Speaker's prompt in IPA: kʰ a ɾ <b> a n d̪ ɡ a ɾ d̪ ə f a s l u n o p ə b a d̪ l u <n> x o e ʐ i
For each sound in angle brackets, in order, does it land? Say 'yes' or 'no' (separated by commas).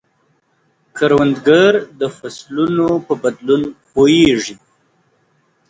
no, yes